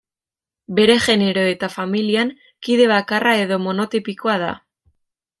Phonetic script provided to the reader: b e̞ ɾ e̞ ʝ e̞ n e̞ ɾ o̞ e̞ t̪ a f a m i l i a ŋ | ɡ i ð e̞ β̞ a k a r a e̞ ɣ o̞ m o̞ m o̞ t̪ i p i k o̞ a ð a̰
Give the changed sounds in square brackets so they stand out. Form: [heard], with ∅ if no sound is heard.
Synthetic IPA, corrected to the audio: b e̞ ɾ e̞ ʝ e̞ n e̞ ɾ o̞ e̞ t̪ a f a m i l i a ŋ | [k] i ð e̞ β̞ a k a r a e̞ [ð] o̞ m o̞ [n] o̞ t̪ i p i k o̞ a ð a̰